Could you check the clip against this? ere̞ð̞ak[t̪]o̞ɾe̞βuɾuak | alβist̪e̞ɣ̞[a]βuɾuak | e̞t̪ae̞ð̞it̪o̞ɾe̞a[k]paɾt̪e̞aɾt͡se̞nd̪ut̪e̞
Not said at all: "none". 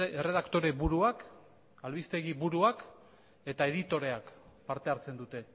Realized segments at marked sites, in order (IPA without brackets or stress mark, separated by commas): t̪, i, k